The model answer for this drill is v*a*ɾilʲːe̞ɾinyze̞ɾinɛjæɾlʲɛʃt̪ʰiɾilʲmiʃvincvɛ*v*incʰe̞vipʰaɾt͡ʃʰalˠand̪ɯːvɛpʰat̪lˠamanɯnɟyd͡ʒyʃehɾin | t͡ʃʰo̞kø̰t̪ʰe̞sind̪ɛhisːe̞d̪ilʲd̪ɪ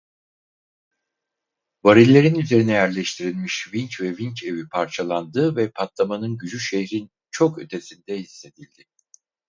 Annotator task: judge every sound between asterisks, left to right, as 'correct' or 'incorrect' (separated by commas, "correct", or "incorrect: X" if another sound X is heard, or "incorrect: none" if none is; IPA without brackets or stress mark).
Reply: correct, correct